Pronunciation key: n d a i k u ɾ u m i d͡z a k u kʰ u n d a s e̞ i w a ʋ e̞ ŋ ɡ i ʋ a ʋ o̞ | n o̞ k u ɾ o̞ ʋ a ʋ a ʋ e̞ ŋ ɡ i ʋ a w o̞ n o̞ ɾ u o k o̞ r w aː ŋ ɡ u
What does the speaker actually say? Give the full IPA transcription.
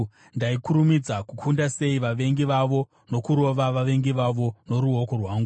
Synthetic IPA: n d a i k u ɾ u m i d͡z a k u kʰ u n d a s e̞ i ʋ a ʋ e̞ ŋ ɡ i ʋ a ʋ o̞ | n o̞ k u ɾ o̞ ʋ a ʋ a ʋ e̞ ŋ ɡ i ʋ a ʋ o̞ n o̞ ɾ u o k o̞ r w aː ŋ ɡ u